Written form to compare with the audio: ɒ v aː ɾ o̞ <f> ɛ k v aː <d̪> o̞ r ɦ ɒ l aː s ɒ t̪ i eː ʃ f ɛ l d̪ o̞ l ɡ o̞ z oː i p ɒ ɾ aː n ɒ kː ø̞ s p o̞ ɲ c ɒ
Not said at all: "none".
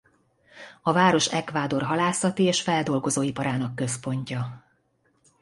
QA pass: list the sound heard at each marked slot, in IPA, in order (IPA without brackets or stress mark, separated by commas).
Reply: ʃ, d̪